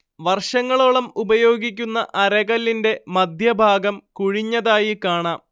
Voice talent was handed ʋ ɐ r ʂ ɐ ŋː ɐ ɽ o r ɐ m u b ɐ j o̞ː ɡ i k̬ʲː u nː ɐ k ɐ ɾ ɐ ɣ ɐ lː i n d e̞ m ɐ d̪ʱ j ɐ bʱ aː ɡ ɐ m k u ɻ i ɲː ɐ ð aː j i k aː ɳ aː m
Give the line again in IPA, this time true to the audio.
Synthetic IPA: ʋ ɐ r ʂ ɐ ŋː ɐ ɭ o ɭ ɐ m u b ɐ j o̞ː ɡ i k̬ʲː u nː ɐ ʔ ɐ ɾ ɐ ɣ ɐ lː i n d e̞ m ɐ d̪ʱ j ɐ bʱ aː ɡ ɐ m k u ɻ i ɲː ɐ ð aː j i k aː ɳ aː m